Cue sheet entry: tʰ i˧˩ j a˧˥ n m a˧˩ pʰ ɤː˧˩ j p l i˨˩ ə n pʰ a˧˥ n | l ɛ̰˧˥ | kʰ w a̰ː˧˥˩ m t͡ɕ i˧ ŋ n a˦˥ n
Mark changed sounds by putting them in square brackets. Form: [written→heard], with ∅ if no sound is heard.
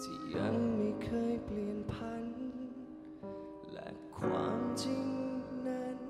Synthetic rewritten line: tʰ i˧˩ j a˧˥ [n→ŋ] m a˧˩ [pʰ→kʰ] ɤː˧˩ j p l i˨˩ ə n pʰ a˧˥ n | l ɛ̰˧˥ | kʰ w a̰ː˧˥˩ m t͡ɕ i˧ ŋ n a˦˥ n